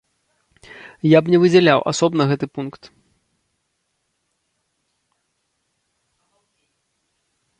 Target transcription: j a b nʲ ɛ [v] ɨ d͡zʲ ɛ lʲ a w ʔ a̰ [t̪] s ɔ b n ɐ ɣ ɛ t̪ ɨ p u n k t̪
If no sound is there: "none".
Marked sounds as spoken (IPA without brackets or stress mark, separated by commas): v, none